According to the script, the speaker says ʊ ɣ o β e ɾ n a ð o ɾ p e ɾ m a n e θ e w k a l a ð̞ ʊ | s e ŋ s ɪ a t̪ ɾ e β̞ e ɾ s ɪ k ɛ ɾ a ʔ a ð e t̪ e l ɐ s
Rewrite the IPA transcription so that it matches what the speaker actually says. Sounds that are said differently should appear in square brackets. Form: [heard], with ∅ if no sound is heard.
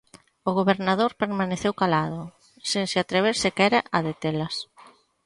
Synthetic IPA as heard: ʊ ɣ o β e ɾ n a ð o ɾ p e ɾ m a n e θ e w k a l a ð̞ ʊ | s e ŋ s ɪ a t̪ ɾ e β̞ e ɾ s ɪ k ɛ ɾ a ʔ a ð e t̪ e l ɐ s